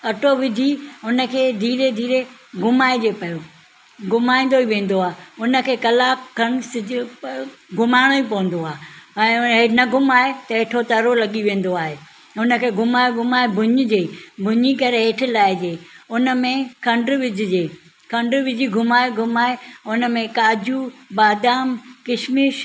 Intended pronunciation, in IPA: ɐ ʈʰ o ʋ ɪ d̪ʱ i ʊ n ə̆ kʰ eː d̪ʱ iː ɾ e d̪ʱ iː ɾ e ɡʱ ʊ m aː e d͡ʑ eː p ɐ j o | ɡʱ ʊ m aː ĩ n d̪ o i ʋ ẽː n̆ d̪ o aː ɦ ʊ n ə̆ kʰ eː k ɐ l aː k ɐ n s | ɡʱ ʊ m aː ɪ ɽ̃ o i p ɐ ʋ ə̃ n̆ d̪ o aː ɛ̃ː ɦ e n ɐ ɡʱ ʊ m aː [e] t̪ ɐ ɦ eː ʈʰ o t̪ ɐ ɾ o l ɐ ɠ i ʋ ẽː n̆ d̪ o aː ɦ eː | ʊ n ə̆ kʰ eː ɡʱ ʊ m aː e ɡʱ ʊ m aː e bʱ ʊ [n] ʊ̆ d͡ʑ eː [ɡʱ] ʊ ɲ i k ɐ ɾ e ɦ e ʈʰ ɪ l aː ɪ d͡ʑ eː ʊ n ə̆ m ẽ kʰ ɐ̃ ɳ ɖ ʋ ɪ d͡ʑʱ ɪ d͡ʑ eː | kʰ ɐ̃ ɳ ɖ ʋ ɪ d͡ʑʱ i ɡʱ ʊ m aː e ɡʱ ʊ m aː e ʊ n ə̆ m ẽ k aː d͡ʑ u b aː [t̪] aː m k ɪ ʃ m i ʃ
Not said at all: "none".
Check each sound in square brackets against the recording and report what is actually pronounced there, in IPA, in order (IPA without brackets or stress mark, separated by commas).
e, ɲ, bʱ, d̪